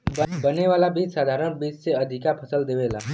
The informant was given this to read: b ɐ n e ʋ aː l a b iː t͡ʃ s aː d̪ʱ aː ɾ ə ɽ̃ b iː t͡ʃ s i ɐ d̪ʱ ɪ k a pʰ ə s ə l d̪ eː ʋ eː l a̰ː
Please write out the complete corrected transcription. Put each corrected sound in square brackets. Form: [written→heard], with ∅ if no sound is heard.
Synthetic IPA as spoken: b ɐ n e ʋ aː l a b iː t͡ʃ s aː d̪ʱ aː ɾ ə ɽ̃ b iː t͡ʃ s [i→e] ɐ d̪ʱ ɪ k a pʰ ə s ə l d̪ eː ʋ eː l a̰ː